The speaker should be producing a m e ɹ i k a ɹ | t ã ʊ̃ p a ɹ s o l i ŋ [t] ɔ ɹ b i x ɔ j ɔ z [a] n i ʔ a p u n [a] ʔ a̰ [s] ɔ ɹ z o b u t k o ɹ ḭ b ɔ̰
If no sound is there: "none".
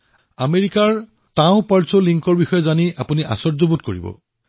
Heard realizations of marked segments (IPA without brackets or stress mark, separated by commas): k, a, i, s